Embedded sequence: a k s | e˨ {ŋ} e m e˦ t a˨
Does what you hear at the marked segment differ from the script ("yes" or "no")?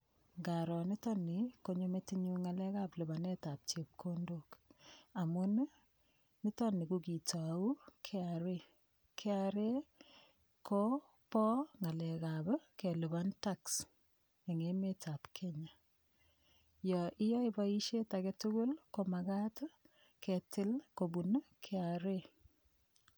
no